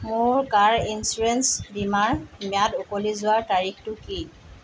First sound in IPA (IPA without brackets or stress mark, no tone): m